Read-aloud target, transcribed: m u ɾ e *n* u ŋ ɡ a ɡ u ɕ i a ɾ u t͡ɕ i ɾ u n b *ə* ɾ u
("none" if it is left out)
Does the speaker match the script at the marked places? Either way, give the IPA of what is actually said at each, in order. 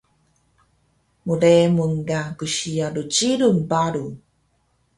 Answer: m, a

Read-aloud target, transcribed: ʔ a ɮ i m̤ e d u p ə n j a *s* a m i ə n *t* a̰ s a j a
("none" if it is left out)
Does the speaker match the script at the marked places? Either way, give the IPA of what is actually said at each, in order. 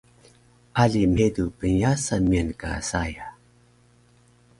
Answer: s, k

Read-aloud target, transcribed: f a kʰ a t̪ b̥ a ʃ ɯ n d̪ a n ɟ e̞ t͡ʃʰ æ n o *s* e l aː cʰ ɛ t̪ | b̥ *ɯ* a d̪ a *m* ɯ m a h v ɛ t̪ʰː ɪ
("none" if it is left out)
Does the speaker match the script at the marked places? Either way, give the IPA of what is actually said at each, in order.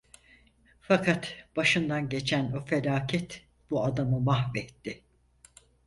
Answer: f, u, m

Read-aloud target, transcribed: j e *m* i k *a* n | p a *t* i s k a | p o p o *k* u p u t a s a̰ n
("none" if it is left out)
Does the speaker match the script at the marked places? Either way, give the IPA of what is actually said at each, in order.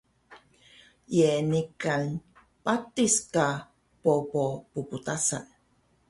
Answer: n, a, t, p

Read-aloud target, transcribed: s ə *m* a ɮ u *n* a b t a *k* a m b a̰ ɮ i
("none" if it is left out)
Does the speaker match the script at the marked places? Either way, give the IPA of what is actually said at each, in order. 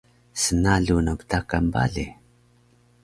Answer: n, n, k

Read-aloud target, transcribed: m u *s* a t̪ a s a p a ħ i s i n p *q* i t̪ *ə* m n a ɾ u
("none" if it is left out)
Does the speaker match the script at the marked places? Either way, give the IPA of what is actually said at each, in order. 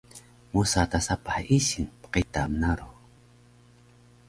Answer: s, q, a

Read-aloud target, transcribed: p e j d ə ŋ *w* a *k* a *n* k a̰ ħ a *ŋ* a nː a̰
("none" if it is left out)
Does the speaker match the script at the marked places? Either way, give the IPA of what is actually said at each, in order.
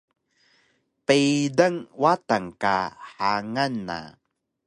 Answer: w, t, ŋ, ŋ

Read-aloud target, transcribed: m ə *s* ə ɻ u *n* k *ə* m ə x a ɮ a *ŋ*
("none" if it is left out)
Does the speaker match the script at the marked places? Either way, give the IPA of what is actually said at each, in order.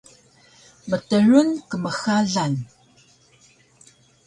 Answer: t, n, ə, n

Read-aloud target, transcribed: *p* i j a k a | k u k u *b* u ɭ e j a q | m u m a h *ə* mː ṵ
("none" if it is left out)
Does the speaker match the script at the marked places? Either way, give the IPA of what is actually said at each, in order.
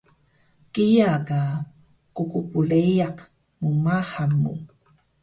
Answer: k, p, a

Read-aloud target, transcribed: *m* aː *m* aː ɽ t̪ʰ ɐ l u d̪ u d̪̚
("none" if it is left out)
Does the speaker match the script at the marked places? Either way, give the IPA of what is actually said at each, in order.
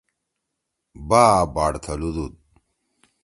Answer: b, b

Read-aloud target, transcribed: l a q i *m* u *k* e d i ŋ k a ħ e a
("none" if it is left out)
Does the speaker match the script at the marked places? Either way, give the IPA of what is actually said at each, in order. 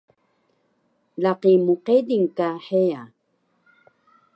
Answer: m, q

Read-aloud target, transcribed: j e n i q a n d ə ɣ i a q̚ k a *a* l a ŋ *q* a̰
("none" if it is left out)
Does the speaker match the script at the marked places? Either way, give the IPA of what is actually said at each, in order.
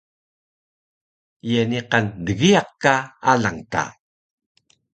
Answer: a, t

